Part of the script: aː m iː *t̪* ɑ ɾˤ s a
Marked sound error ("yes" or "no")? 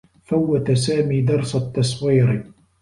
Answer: yes